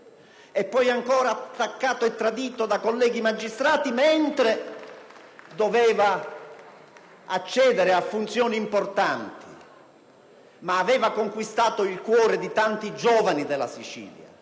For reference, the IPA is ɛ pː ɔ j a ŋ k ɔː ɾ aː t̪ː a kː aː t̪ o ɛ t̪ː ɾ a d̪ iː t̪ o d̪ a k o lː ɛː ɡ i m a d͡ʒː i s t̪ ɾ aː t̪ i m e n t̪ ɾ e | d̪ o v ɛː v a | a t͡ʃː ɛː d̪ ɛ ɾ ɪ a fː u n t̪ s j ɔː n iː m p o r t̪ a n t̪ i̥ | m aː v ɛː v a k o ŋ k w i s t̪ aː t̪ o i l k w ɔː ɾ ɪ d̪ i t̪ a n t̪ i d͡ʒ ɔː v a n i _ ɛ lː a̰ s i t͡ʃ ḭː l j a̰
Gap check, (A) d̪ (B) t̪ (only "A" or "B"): A